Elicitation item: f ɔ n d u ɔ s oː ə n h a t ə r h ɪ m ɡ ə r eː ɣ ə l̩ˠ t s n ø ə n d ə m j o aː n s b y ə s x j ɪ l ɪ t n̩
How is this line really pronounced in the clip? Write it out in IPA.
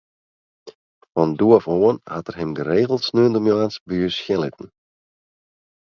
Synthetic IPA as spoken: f ɔ n d u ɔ f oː ə n h a t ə r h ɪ m ɡ ə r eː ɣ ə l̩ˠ t s n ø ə n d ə m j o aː n s b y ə s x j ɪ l ɪ t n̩